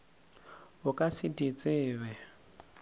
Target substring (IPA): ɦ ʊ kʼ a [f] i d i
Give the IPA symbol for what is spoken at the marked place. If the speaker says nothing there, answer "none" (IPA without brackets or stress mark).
s